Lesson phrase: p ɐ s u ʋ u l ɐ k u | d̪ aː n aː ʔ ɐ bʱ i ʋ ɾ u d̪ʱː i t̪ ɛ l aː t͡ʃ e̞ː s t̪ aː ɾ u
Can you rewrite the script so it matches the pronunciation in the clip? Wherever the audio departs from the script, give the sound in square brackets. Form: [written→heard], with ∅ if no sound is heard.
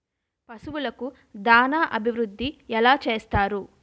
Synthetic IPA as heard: p ɐ s u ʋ u l ɐ k u | d̪ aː n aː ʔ ɐ bʱ i ʋ ɾ u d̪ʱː i [t̪→∅] ɛ l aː t͡ʃ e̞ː s t̪ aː ɾ u